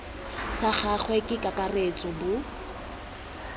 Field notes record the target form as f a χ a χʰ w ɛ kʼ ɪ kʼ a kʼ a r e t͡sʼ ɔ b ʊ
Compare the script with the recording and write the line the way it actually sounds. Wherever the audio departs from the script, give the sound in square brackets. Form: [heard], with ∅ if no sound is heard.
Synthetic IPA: [s] a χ a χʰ w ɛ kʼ ɪ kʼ a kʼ a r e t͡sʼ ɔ b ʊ